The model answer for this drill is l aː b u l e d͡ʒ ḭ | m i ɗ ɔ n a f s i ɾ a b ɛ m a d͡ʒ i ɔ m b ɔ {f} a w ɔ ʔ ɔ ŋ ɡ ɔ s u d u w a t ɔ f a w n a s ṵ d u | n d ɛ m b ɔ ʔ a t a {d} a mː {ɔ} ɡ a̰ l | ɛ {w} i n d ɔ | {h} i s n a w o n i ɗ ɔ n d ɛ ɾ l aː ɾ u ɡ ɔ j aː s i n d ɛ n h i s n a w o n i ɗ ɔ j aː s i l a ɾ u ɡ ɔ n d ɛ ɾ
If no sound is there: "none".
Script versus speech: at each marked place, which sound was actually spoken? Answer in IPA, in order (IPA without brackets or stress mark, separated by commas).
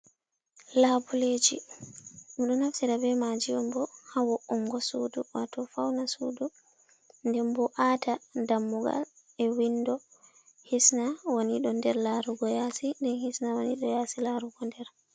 h, d, u, w, h